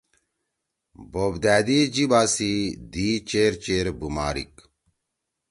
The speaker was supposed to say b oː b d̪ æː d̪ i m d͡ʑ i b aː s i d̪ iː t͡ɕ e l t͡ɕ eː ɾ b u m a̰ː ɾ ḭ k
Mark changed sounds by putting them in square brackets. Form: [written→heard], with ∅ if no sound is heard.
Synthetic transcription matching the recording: b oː b d̪ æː d̪ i [m→∅] d͡ʑ i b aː s i d̪ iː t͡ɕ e [l→ɾ] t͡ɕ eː ɾ b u m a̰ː ɾ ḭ k